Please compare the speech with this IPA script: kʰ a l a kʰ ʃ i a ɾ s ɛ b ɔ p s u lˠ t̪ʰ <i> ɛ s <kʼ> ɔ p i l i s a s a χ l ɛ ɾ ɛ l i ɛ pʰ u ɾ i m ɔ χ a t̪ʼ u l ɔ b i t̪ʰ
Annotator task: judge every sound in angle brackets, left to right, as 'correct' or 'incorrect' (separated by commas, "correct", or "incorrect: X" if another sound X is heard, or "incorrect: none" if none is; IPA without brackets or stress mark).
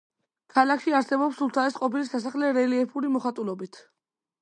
incorrect: a, incorrect: qʼ